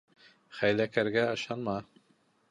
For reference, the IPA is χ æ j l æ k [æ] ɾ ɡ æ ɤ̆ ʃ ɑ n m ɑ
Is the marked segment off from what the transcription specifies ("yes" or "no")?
no